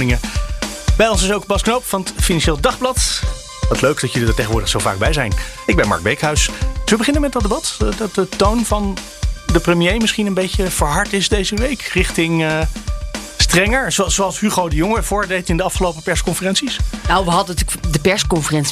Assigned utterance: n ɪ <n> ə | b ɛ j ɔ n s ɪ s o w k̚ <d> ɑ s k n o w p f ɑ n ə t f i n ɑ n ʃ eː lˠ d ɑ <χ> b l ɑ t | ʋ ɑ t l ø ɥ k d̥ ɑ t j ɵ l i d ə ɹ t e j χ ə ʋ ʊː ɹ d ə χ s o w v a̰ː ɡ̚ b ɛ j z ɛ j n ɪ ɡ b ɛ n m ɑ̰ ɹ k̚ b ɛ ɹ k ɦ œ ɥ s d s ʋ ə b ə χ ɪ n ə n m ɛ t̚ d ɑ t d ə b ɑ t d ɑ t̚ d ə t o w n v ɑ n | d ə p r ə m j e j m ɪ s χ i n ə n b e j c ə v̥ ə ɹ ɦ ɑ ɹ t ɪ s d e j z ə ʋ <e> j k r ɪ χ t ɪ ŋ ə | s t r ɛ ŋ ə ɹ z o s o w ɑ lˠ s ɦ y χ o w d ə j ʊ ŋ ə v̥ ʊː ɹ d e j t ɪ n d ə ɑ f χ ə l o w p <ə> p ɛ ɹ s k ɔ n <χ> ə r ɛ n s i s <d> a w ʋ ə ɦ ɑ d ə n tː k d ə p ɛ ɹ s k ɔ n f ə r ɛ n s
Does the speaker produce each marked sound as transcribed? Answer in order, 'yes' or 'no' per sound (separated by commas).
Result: no, no, yes, yes, yes, no, no